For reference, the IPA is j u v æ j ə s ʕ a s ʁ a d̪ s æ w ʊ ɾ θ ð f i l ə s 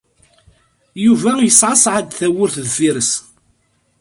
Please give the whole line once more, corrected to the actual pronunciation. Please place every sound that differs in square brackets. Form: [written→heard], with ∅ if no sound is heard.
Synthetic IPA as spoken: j u v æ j ə s ʕ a s [ʁ→ʕ] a d̪ [s→θ] æ w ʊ ɾ θ ð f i [l→ɾ] ə s